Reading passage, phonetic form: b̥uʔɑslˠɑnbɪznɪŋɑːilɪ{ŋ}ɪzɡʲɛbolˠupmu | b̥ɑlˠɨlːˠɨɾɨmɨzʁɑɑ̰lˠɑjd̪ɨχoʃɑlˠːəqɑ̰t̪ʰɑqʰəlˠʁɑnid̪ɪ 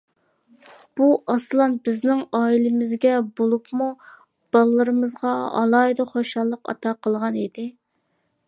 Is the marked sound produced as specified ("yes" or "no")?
no